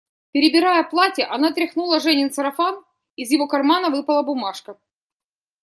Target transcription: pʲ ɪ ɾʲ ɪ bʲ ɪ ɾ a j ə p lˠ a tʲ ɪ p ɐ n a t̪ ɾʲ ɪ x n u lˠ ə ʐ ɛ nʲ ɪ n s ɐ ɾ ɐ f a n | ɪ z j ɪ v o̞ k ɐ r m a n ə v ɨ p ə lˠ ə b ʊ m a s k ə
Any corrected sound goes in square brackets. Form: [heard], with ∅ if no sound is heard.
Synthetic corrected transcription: pʲ ɪ ɾʲ ɪ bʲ ɪ ɾ a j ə p lˠ a tʲ ɪ [ʔ] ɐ n a t̪ ɾʲ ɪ x n u lˠ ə ʐ ɛ nʲ ɪ n s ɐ ɾ ɐ f a n | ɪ z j ɪ v o̞ k ɐ r m a n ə v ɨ p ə lˠ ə b ʊ m a [ʂ] k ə